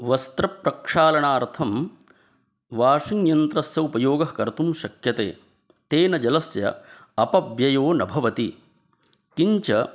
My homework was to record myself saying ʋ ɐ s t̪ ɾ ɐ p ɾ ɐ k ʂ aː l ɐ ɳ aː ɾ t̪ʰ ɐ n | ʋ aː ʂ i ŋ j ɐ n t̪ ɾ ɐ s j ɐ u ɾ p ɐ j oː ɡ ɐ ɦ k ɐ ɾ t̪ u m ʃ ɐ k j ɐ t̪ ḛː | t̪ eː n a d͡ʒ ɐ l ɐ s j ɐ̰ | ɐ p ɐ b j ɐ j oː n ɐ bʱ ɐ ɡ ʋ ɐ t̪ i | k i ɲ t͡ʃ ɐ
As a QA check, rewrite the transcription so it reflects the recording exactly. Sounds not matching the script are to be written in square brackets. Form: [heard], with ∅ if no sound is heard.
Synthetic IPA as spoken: ʋ ɐ s t̪ ɾ ɐ p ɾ ɐ k ʂ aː l ɐ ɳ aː ɾ t̪ʰ ɐ [m] | ʋ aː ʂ i ŋ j ɐ n t̪ ɾ ɐ s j ɐ u [∅] p ɐ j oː ɡ ɐ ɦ k ɐ ɾ t̪ u m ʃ ɐ k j ɐ t̪ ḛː | t̪ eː n [ɐ] d͡ʒ ɐ l ɐ s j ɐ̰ | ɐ p ɐ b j ɐ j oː n ɐ bʱ ɐ [∅] ʋ ɐ t̪ i | k i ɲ t͡ʃ ɐ